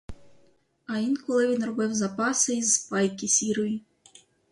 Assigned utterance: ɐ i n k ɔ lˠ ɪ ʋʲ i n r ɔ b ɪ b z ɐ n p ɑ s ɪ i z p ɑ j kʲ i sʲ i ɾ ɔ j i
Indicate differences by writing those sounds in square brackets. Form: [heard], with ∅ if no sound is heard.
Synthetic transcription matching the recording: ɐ i n k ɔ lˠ ɪ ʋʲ i n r ɔ b ɪ [w] z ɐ [∅] p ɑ s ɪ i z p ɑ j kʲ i sʲ i ɾ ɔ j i